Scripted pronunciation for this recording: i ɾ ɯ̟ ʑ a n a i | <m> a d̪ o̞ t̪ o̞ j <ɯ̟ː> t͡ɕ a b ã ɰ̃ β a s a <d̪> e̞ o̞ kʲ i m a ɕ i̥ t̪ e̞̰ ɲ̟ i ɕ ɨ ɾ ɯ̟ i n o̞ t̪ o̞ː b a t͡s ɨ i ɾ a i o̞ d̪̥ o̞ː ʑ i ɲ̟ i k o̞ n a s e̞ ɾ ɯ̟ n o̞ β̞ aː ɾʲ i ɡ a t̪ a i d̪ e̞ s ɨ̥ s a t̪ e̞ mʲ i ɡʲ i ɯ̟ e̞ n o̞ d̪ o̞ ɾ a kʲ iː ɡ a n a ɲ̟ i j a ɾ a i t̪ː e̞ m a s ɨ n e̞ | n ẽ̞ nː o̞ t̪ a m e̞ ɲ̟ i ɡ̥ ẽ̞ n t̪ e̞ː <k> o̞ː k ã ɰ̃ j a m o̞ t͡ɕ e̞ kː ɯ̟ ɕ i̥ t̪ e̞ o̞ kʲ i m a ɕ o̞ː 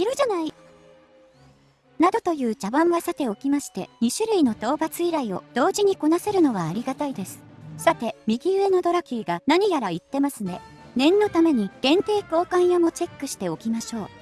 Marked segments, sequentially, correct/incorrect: incorrect: n, correct, incorrect: t̪, correct

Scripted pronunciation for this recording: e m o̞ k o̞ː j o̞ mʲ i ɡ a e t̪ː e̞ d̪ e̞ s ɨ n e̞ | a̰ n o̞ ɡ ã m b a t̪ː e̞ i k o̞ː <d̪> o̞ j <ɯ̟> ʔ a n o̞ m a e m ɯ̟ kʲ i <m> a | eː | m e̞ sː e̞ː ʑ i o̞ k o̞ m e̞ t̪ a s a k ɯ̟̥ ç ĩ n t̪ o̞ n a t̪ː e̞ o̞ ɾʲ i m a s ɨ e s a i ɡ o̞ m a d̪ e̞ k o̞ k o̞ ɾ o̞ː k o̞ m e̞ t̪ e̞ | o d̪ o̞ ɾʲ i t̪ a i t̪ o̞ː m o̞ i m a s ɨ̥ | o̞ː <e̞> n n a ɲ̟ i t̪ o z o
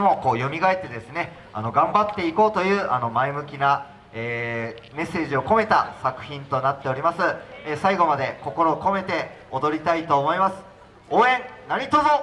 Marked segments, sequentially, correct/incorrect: incorrect: t̪, incorrect: ɯ̟ː, incorrect: n, incorrect: ẽ̞

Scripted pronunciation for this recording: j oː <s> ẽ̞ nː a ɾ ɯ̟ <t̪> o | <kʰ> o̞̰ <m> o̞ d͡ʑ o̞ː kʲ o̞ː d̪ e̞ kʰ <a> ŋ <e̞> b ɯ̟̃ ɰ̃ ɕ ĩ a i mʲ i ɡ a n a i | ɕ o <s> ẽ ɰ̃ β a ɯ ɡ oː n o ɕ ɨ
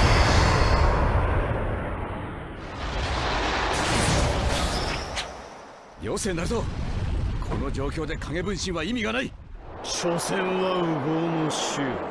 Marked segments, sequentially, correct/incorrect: correct, correct, correct, incorrect: n, correct, correct, correct

